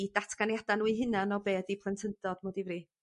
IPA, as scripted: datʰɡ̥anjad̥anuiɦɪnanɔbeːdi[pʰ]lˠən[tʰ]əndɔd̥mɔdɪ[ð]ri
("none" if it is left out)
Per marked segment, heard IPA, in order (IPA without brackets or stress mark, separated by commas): pʰ, tʰ, v